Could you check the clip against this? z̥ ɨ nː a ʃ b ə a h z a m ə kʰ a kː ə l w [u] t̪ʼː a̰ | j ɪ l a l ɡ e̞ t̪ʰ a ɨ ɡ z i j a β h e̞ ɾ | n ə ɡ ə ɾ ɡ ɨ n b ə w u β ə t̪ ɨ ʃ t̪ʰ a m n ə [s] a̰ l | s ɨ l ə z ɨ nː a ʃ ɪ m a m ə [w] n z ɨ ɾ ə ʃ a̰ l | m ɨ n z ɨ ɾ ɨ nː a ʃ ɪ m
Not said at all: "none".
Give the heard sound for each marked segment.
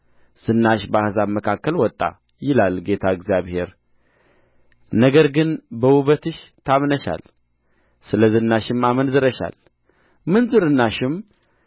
ɔ, ʃ, none

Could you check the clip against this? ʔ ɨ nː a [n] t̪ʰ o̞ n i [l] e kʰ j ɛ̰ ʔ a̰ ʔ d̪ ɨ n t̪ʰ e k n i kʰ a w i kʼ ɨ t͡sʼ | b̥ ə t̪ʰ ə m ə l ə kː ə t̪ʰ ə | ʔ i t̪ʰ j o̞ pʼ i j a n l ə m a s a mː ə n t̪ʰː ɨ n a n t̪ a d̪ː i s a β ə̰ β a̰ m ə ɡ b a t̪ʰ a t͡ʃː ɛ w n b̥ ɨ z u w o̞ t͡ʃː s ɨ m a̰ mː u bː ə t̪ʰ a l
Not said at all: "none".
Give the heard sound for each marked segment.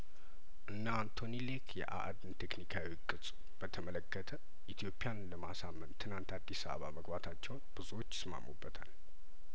n, l

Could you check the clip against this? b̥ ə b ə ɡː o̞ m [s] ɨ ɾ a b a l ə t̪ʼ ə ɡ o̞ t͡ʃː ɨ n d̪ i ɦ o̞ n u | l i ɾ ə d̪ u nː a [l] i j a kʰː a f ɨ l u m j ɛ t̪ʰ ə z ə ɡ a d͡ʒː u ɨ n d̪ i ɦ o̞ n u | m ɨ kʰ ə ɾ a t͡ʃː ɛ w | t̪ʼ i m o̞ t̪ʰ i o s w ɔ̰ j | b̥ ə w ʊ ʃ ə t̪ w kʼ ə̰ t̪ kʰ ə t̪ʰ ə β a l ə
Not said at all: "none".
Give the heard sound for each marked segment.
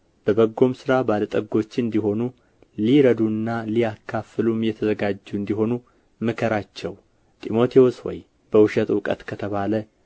s, l

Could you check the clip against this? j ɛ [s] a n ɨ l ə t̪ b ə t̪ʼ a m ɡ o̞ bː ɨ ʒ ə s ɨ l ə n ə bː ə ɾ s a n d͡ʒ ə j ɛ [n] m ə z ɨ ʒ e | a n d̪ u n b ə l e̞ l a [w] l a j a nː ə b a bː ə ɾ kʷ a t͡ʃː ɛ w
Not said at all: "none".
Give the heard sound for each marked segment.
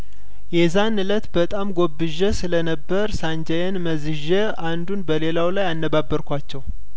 z, n, w

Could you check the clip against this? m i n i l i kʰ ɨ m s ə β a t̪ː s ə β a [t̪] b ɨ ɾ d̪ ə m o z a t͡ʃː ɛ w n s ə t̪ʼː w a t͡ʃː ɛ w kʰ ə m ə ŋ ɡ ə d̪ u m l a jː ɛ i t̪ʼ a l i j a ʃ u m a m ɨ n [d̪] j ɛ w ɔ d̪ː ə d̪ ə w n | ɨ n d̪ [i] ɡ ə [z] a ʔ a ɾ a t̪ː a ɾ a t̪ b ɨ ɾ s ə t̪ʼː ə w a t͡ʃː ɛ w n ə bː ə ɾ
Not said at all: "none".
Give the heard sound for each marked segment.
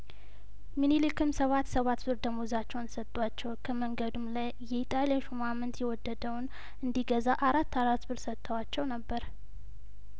t̪, t̪, i, z

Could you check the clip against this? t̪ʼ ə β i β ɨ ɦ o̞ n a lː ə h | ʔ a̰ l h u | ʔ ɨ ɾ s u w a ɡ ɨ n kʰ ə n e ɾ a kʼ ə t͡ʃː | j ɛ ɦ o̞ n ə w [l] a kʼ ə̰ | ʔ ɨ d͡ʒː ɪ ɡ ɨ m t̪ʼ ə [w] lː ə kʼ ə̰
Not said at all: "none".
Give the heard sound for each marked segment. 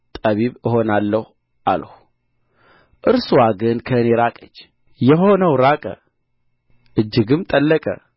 ɾ, none

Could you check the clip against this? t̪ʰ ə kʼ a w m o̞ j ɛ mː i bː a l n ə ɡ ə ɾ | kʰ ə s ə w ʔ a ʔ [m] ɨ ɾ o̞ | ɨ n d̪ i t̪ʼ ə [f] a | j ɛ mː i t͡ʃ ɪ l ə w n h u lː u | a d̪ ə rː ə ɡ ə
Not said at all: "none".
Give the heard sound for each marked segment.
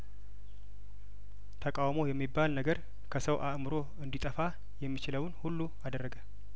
m, f

